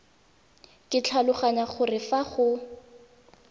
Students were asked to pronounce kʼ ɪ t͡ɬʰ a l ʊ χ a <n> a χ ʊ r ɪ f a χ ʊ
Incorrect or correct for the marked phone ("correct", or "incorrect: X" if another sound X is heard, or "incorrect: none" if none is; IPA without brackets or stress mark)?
incorrect: ɲ